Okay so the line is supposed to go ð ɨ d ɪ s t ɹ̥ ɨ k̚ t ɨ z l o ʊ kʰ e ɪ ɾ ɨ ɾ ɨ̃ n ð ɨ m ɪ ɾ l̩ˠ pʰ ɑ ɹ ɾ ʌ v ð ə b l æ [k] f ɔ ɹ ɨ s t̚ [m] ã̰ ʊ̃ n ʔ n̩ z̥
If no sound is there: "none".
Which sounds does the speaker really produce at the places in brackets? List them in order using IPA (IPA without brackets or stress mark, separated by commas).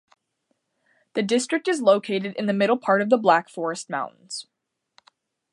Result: k, m